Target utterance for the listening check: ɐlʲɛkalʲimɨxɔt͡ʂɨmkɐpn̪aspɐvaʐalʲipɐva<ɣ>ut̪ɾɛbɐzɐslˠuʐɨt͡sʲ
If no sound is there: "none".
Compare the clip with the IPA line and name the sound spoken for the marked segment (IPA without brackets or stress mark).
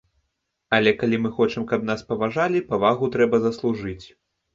ɣ